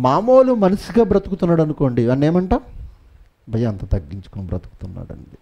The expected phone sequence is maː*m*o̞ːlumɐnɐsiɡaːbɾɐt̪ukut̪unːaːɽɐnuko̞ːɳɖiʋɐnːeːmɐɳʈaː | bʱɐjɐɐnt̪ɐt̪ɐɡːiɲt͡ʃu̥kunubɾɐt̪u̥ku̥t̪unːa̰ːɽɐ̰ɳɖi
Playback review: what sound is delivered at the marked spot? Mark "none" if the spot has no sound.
m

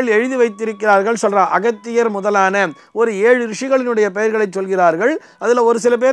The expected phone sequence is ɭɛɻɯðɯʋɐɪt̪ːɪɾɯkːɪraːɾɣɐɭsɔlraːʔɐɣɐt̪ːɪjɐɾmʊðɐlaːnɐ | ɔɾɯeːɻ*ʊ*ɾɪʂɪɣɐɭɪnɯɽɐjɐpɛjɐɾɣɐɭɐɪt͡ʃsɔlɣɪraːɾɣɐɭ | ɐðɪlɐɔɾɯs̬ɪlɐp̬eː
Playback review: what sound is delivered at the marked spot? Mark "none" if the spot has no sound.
ɯ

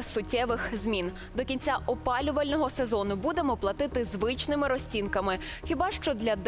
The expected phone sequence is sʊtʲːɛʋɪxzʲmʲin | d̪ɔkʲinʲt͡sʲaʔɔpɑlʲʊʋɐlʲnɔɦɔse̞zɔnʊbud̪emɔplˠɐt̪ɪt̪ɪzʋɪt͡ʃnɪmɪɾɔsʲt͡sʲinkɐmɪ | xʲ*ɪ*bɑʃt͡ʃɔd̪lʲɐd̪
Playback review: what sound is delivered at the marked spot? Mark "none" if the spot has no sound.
i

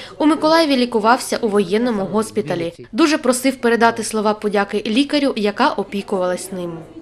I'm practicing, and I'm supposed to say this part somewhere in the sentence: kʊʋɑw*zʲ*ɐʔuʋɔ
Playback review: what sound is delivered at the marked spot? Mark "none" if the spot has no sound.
sʲ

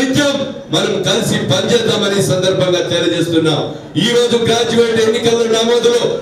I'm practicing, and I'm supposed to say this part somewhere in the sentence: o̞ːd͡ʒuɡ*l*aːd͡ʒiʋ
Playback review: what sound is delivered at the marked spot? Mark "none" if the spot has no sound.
ɾ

